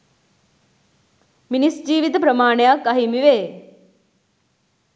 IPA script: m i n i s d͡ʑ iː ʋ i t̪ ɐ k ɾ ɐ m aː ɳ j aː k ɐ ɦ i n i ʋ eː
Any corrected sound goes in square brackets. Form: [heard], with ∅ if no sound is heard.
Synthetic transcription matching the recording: m i n i s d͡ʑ iː ʋ i t̪ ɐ [p] ɾ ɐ m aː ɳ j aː k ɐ ɦ i [m] i ʋ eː